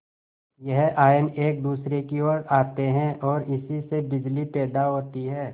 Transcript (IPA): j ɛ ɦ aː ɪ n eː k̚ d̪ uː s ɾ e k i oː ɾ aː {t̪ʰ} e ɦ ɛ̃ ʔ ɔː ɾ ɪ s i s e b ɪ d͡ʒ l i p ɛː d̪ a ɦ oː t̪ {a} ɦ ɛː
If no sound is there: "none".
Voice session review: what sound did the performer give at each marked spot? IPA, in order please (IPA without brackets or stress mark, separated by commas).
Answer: t̪, i